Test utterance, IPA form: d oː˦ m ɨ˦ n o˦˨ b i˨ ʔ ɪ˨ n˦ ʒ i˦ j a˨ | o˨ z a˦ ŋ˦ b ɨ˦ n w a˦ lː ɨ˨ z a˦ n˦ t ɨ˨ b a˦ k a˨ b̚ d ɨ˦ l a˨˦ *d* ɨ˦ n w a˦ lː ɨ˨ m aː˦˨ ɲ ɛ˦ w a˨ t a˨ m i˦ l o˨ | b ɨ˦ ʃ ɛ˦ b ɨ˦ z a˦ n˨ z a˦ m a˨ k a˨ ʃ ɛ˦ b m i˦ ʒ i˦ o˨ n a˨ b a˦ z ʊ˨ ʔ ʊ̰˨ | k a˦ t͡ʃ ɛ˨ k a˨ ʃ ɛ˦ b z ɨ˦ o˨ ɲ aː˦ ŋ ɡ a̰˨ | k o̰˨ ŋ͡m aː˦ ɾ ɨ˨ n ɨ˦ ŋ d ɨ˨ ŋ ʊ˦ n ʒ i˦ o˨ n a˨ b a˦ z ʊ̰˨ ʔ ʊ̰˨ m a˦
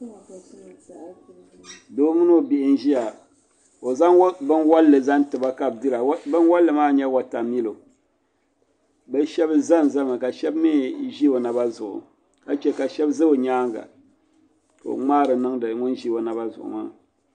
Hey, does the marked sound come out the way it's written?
no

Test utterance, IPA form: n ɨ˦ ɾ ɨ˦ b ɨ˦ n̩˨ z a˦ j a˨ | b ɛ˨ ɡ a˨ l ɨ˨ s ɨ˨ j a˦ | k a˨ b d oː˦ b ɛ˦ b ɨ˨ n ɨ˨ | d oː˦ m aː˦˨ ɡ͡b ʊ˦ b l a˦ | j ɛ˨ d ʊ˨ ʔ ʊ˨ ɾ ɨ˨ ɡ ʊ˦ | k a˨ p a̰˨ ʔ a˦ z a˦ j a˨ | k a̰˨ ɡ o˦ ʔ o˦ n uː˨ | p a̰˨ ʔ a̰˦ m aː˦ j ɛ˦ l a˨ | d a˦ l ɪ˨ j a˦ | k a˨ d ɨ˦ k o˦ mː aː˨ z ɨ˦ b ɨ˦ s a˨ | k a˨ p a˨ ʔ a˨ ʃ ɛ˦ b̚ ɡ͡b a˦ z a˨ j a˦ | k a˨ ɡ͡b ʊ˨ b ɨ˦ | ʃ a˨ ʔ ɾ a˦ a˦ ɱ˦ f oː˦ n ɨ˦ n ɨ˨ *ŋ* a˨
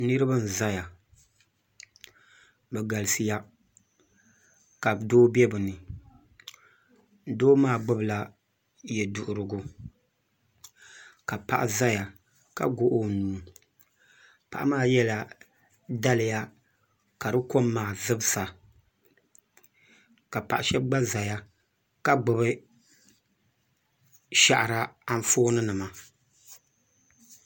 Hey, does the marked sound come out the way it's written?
no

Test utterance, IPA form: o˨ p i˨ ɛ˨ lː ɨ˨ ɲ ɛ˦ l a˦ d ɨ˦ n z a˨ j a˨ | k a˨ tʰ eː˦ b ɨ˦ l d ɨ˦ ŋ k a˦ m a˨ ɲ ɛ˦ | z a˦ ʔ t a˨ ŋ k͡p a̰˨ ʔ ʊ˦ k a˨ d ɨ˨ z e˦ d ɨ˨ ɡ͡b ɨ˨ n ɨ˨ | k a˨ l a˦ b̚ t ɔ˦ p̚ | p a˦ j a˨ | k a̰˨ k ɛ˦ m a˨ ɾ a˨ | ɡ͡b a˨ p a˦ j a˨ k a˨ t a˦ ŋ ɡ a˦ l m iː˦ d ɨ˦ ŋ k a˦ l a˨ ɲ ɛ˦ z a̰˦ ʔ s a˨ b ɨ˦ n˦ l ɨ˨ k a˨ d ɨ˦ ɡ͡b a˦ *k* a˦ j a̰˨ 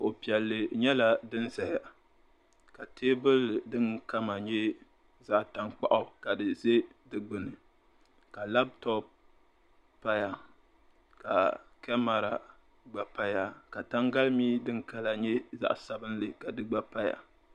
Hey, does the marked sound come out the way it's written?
no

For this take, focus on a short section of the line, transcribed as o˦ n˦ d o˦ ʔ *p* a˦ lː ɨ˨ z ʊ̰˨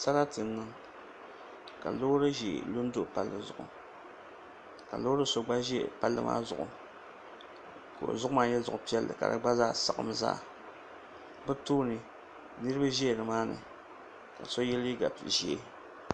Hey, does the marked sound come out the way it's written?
yes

